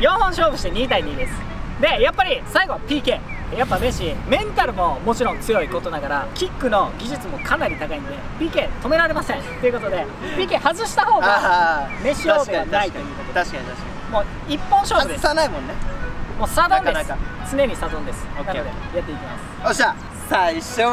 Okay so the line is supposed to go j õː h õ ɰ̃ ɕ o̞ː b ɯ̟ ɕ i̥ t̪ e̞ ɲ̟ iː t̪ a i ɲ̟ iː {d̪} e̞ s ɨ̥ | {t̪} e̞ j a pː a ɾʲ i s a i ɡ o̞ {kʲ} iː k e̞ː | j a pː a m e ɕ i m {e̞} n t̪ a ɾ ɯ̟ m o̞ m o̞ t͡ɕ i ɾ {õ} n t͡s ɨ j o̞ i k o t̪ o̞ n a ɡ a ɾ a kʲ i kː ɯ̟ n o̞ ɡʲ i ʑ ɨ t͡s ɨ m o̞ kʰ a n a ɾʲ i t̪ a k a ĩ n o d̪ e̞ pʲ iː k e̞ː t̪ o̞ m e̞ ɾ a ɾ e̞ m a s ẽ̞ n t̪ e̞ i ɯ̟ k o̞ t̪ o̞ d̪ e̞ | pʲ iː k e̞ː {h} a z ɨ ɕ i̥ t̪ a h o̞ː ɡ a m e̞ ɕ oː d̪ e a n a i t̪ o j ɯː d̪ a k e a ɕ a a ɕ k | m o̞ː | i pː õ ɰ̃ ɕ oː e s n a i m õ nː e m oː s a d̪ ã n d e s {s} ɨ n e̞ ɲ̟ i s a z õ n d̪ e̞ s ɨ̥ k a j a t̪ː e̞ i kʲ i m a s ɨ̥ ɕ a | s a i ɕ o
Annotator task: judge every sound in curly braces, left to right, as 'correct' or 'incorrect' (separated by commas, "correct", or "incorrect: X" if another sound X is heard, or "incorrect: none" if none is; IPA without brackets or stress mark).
correct, incorrect: d̪, incorrect: pʲ, incorrect: ẽ̞, correct, correct, incorrect: t͡s